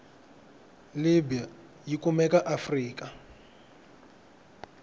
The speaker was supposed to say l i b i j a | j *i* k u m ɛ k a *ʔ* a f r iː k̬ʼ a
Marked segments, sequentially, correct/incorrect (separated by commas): correct, correct